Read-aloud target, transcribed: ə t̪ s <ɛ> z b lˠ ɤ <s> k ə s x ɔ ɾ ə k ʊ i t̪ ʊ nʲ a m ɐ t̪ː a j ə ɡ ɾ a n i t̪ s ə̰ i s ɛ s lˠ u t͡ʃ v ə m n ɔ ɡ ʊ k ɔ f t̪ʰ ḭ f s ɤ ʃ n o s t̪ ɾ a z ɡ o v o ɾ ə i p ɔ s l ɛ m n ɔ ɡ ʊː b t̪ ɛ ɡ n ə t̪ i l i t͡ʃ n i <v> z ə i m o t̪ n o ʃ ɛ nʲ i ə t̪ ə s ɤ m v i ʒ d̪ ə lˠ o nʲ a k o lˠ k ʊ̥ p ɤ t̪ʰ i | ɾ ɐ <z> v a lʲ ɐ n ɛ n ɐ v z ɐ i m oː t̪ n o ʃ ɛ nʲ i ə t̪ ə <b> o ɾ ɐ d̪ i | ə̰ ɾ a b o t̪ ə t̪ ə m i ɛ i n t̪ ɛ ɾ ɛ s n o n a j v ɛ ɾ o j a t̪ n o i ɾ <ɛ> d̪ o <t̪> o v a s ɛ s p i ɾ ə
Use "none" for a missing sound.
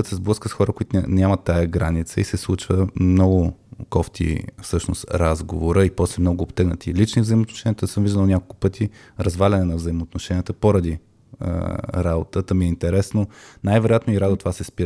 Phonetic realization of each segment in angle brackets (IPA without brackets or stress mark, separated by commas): ɛ, s, v, z, p, a, t̪